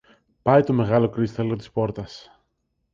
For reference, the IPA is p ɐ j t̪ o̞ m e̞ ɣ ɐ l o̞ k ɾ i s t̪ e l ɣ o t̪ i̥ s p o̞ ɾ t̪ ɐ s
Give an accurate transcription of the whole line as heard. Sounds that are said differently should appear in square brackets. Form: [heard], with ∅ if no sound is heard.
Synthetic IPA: p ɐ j t̪ o̞ m e̞ ɣ ɐ l o̞ k ɾ i s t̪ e l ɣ o t̪ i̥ s p o̞ ɾ t̪ ɐ s